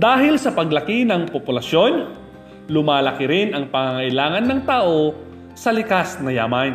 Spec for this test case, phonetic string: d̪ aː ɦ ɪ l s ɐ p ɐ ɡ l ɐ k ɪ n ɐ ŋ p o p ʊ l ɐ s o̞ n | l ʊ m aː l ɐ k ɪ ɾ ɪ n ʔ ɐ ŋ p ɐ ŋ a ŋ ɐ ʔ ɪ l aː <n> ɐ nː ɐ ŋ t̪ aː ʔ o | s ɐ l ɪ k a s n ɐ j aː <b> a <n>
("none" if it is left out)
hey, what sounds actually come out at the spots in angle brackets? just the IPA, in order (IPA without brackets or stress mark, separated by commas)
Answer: ŋ, m, n